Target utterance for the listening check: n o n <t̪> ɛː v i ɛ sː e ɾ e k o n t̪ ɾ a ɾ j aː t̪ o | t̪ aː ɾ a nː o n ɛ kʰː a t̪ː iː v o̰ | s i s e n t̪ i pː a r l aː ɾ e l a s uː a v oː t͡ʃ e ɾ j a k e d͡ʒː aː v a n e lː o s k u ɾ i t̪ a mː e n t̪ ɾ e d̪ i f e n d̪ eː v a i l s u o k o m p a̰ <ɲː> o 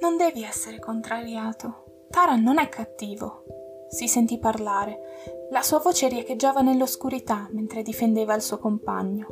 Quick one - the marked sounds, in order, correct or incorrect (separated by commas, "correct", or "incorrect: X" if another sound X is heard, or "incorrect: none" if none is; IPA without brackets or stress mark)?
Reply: incorrect: d̪, correct